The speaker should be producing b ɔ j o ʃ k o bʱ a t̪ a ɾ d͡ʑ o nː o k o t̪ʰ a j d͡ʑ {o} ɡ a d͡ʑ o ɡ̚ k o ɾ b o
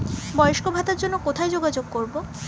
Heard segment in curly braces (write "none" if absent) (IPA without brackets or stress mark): o